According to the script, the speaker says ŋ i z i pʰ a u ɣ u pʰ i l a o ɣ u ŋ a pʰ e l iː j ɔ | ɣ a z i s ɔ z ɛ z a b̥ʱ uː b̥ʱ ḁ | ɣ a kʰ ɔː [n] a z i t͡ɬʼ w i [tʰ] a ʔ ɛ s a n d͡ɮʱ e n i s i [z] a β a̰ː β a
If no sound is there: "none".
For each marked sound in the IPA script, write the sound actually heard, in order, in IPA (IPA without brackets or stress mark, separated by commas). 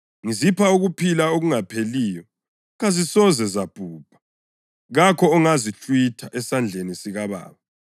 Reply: ŋ, tʰ, ɣ